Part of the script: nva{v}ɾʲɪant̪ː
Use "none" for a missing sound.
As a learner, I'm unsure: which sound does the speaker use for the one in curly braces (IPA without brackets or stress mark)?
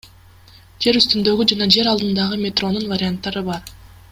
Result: none